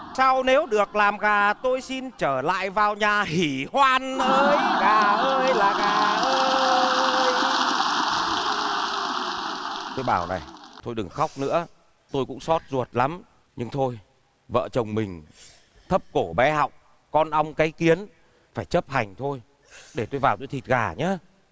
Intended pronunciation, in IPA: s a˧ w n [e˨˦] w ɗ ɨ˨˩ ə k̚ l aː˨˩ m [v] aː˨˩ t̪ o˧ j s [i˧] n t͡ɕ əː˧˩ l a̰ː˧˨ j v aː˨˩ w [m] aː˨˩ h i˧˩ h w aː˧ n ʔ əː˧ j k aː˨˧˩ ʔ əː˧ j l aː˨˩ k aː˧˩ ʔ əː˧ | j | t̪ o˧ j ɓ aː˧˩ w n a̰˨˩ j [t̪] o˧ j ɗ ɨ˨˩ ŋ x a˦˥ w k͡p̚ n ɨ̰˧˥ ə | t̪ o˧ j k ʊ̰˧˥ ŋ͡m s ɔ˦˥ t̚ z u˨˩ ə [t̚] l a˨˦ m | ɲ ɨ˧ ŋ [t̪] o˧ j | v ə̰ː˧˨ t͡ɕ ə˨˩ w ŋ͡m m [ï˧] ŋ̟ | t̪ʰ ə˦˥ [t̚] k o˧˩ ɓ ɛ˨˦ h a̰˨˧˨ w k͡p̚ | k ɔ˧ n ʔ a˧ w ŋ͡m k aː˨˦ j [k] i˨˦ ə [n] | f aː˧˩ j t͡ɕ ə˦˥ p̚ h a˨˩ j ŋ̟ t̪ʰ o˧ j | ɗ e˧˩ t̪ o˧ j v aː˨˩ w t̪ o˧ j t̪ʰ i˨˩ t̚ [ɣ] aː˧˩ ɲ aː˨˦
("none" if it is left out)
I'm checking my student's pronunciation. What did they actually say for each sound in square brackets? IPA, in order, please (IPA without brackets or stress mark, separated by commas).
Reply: e˨˦, ɣ, i˧, ɲ, t̪ʰ, t̚, t̪ʰ, ï˨˩, p̚, k, n, ɣ